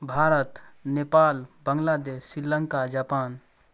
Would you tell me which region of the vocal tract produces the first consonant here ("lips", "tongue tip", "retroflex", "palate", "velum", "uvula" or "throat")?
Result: lips